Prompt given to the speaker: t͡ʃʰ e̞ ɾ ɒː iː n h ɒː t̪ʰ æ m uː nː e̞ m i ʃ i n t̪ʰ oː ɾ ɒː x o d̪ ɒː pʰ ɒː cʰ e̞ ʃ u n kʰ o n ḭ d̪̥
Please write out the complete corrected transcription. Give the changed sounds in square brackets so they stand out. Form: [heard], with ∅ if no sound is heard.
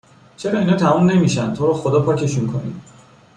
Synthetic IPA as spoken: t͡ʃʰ e̞ ɾ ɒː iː n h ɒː t̪ʰ æ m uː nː e̞ m i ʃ [æ] n t̪ʰ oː ɾ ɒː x o d̪ ɒː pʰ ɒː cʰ e̞ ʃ u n kʰ o n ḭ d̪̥